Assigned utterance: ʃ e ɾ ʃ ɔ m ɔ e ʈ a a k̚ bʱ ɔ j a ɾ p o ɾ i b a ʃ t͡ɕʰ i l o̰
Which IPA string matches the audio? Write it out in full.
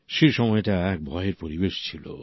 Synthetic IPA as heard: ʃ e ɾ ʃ ɔ m ɔ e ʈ a ɛ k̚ bʱ ɔ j e ɾ p o ɾ i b e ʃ t͡ɕʰ i l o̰